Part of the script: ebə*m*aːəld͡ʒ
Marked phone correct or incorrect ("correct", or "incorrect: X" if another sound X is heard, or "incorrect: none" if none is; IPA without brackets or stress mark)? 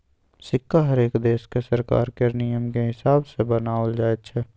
incorrect: n